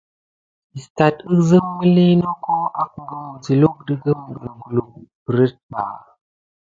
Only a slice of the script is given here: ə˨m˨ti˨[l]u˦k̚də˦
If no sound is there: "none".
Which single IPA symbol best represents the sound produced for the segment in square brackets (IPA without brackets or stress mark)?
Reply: l